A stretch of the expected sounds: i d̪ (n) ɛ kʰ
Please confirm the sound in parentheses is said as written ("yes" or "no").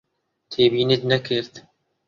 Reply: yes